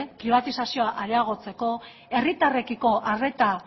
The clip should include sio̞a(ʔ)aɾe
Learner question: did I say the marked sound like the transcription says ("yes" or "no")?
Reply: yes